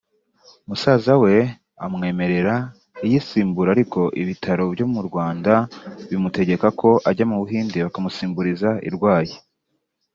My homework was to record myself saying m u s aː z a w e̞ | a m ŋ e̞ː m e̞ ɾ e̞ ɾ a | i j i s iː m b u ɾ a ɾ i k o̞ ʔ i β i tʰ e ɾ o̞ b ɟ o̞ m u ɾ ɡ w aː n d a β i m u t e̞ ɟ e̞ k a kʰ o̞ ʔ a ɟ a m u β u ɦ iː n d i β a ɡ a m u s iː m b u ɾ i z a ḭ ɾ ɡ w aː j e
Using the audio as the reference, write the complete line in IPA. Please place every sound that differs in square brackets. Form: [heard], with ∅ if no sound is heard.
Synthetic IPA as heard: m u s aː z a w e̞ | a m ŋ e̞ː m e̞ ɾ e̞ ɾ a | i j i s iː m b u ɾ a ɾ i k o̞ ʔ i β i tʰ [a] ɾ o̞ b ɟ o̞ m u ɾ ɡ w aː n d a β i m u t e̞ ɟ e̞ k a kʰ o̞ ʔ a ɟ a m u β u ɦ iː n d i β a [k] a m u s iː m b u ɾ i z a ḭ ɾ ɡ w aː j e